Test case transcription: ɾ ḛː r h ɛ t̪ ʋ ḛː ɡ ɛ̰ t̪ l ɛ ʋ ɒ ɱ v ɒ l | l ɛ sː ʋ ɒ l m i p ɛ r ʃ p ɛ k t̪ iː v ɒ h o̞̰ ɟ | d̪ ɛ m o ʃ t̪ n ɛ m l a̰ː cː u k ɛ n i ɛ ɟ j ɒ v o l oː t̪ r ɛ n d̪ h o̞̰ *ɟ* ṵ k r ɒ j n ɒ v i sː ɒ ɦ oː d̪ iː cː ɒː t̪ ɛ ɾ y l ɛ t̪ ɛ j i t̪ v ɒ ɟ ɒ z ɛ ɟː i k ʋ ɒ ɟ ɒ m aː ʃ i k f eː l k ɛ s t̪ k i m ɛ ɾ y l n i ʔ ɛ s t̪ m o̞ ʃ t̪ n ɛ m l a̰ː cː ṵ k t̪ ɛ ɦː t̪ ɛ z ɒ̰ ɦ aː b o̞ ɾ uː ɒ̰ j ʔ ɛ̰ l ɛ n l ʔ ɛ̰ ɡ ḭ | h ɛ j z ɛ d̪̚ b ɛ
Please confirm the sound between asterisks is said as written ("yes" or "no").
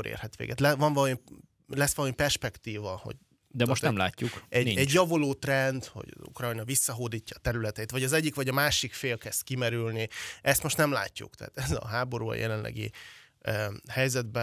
yes